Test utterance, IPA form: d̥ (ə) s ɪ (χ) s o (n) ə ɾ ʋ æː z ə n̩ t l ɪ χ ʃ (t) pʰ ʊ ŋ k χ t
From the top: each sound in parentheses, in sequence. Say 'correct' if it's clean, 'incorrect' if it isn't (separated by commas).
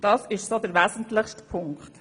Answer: incorrect, incorrect, incorrect, correct